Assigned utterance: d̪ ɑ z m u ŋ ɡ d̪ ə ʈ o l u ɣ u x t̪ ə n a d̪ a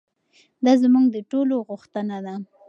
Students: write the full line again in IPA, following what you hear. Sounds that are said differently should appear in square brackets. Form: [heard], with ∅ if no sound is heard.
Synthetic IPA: d̪ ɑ z m u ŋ ɡ d̪ ə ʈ o l [o] ɣ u x t̪ ə n a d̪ a